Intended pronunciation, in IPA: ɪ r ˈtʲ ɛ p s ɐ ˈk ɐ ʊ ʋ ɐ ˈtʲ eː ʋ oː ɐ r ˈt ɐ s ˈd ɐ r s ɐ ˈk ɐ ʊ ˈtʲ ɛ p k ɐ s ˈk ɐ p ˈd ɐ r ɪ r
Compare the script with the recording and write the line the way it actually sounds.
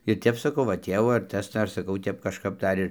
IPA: ɪ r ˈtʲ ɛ p s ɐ ˈk ɐ ʊ ʋ ɐ ˈtʲ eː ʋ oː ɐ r ˈt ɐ s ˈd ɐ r s ɐ ˈk ɐ ʊ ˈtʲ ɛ p k ɐ ʃ ˈk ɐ p ˈd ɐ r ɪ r